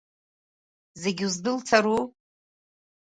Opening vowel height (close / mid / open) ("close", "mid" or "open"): mid